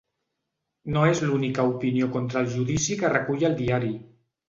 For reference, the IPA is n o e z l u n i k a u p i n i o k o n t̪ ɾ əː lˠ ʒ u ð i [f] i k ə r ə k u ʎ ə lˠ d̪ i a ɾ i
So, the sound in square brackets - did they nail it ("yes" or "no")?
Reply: no